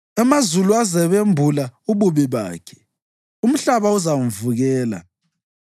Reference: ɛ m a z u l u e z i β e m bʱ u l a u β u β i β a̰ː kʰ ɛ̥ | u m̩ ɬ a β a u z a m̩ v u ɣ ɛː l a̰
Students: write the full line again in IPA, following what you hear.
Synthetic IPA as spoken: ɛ m a z u l u a z ɛ β e m bʱ u l a u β u β i β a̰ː kʰ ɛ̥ | u m̩ ɬ a β a u z a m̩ v u ɣ ɛː l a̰